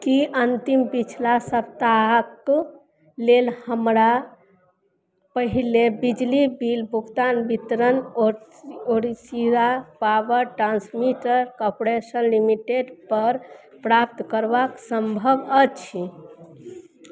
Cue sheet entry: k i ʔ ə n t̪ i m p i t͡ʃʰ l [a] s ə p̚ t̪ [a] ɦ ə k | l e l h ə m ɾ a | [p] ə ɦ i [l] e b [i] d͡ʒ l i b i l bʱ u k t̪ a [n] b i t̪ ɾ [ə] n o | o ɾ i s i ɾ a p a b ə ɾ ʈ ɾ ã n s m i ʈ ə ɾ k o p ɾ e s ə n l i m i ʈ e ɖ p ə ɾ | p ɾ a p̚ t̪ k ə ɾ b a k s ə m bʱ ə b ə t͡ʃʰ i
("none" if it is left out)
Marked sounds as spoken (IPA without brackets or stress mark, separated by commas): a, a, p, l, i, n, ə